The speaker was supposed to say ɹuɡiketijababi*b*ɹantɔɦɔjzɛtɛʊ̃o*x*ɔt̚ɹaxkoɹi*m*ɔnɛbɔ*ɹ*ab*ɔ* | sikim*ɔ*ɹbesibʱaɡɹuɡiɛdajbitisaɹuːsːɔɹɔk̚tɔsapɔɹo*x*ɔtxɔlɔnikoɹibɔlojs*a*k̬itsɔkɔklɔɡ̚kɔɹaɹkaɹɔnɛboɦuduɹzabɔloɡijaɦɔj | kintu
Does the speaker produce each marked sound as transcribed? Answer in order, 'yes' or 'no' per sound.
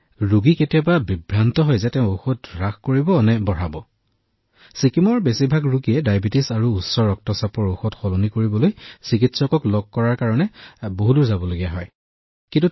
yes, yes, no, yes, yes, yes, yes, no

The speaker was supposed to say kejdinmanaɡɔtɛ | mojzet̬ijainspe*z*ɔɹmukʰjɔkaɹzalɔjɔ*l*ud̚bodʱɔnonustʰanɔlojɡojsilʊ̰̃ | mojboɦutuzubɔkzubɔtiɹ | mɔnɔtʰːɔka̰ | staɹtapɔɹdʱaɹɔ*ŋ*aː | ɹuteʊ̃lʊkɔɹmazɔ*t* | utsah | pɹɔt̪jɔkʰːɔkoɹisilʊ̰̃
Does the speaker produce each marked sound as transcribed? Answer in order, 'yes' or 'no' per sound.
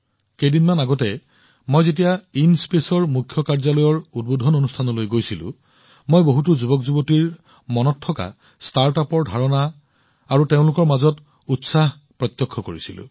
no, no, no, yes

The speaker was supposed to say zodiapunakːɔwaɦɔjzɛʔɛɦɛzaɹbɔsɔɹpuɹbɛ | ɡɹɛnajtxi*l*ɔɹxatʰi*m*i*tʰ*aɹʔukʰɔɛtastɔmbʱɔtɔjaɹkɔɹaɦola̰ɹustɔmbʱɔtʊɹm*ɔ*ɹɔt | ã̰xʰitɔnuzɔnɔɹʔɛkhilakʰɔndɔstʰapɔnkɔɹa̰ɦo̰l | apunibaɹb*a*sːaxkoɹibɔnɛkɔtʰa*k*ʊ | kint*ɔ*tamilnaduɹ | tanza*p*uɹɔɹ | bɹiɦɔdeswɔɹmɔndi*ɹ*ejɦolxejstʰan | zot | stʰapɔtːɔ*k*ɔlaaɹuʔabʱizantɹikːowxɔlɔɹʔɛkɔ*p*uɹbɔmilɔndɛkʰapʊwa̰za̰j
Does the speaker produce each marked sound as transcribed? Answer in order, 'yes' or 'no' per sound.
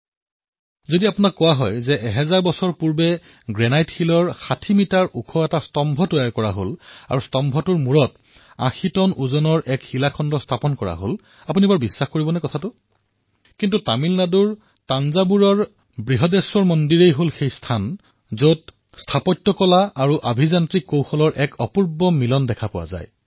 yes, yes, no, no, no, no, no, no, yes, yes, yes

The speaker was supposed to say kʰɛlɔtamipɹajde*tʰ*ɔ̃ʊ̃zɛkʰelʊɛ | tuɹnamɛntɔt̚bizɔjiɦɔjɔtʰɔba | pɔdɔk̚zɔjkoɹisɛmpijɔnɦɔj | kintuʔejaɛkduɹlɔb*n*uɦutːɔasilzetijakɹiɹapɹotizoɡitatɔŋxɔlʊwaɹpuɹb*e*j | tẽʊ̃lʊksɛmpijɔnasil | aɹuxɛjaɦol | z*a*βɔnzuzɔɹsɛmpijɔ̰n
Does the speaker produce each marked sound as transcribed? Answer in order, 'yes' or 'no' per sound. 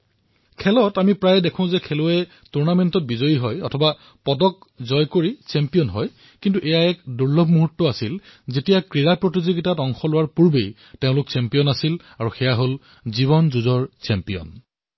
no, no, yes, no

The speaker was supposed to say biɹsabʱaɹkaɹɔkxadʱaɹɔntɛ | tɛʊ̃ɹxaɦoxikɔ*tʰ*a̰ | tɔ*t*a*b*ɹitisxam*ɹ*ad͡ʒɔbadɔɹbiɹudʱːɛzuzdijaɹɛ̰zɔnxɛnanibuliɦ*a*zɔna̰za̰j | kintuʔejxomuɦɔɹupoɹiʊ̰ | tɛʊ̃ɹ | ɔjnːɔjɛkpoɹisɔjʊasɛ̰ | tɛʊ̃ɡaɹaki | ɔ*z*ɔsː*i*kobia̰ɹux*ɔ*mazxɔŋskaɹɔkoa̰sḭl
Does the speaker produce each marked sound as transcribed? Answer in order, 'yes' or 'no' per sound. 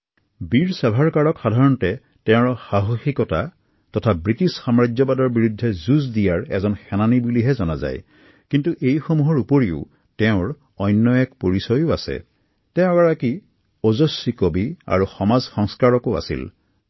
no, no, yes, yes, no, yes, yes, yes

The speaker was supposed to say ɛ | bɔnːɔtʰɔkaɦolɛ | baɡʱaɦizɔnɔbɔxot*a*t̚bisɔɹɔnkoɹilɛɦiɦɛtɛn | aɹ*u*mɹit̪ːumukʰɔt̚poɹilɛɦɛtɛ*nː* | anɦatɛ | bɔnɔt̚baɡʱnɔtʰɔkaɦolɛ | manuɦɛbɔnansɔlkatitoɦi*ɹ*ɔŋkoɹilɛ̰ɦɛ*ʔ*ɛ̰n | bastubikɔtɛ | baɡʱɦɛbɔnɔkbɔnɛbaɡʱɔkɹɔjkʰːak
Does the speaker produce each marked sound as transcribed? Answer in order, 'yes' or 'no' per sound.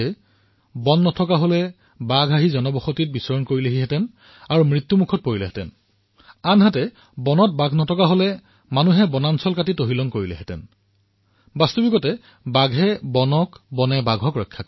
no, yes, no, no, no

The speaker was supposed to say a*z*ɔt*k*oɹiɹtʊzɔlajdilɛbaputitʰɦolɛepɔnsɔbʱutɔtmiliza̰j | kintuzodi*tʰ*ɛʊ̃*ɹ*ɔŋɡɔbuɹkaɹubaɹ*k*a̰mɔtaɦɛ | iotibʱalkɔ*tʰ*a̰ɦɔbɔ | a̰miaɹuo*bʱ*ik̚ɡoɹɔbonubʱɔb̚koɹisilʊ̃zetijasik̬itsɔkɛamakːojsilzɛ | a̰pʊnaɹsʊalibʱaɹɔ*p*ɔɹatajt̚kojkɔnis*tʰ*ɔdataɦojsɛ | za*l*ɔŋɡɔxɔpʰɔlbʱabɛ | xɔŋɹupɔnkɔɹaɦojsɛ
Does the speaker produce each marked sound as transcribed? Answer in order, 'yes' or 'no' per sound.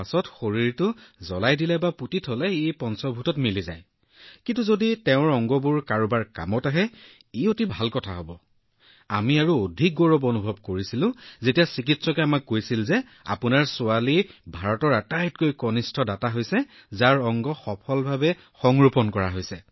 no, no, no, yes, yes, yes, no, no, yes, no

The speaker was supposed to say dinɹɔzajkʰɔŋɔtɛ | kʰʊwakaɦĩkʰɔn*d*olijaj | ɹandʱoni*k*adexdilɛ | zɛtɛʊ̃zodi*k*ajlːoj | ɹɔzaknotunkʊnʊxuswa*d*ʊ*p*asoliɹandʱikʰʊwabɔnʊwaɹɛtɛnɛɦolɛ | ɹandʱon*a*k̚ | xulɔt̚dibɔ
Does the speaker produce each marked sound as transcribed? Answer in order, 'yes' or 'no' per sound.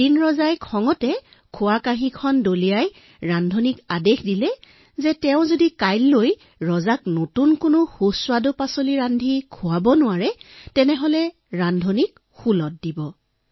yes, yes, yes, yes, yes, no

